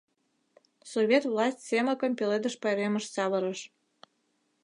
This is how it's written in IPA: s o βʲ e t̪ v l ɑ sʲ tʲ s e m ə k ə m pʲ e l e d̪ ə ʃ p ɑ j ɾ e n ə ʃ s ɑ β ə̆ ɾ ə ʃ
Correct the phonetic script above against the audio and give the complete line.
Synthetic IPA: s o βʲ e t̪ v l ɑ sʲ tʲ s e m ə k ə m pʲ e l e d̪ ə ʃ p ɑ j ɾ e m ə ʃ s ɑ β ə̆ ɾ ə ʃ